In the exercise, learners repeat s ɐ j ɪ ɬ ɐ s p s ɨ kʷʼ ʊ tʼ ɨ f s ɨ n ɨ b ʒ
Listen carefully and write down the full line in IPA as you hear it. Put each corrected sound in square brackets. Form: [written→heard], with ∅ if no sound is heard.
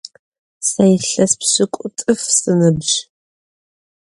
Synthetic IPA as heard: s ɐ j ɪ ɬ ɐ s p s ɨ kʷʼ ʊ tʼ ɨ f s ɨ n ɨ b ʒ